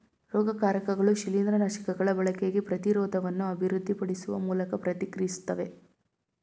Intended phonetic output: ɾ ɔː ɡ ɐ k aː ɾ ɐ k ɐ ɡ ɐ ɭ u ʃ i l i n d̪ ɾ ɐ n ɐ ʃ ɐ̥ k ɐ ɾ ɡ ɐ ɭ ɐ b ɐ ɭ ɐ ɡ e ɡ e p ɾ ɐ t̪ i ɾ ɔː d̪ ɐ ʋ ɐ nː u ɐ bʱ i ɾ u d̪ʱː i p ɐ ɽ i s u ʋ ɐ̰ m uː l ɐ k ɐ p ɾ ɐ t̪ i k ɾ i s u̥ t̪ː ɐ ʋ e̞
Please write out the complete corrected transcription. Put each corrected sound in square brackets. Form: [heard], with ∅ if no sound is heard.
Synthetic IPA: ɾ ɔː ɡ ɐ k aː ɾ ɐ k ɐ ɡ ɐ ɭ u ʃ i l i n d̪ ɾ ɐ n ɐ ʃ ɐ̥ k ɐ [∅] ɡ ɐ ɭ ɐ b ɐ ɭ ɐ [k] e ɡ e p ɾ ɐ t̪ i ɾ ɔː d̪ ɐ ʋ ɐ nː u ɐ bʱ i ɾ u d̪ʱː i p ɐ ɽ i s u ʋ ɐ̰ m uː l ɐ k ɐ p ɾ ɐ t̪ i k ɾ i s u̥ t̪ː ɐ ʋ e̞